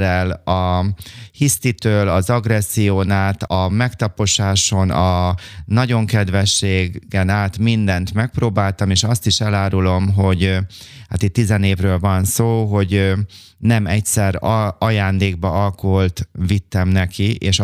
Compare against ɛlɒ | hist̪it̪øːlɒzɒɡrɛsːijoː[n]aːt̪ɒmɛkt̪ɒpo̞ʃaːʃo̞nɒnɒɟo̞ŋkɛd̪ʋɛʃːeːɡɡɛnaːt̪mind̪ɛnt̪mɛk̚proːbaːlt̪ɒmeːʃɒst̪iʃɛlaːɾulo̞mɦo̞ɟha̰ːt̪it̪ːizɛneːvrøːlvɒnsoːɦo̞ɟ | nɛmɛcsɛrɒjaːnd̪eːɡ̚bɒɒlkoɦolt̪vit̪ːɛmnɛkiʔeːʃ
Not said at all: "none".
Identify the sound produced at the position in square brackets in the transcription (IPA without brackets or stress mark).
n